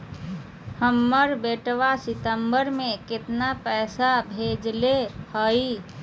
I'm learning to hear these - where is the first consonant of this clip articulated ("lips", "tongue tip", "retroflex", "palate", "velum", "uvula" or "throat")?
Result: throat